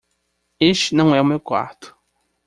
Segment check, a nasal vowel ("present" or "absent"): present